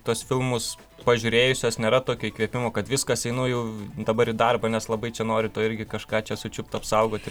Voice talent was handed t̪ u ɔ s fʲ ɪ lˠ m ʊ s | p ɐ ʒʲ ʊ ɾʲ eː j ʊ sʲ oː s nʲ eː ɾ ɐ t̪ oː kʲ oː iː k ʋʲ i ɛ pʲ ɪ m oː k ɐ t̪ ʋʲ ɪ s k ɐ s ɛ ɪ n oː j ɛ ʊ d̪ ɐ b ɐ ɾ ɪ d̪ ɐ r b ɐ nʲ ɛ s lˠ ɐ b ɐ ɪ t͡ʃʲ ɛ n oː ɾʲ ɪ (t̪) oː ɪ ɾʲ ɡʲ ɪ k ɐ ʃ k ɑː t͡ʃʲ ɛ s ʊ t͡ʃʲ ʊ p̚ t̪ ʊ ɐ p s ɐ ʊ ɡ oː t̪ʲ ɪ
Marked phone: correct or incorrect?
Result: correct